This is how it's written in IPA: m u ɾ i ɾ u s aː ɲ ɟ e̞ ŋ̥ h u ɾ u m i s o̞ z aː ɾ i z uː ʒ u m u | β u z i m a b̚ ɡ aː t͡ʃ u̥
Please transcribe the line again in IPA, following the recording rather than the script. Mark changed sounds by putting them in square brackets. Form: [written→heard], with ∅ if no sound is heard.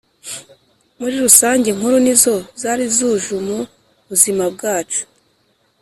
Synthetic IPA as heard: m u ɾ i ɾ u s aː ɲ ɟ e̞ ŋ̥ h u ɾ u [m→n] i [s→z] o̞ z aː ɾ i z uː ʒ u m u | β u z i m a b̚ ɡ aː t͡ʃ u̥